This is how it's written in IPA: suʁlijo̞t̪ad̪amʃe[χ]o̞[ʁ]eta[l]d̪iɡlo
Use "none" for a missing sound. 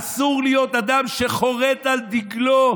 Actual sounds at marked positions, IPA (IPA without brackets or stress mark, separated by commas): χ, ʁ, l